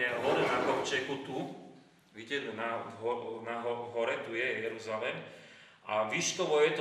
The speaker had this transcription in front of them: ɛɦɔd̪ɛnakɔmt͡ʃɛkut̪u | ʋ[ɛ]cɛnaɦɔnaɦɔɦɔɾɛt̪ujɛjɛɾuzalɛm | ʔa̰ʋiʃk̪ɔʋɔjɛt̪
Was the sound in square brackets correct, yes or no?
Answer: no